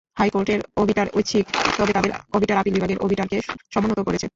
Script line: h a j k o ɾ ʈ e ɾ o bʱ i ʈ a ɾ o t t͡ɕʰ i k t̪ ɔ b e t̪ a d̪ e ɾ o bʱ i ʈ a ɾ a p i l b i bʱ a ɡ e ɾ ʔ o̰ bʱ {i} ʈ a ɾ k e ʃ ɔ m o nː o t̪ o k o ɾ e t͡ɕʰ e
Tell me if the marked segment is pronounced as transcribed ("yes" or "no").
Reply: yes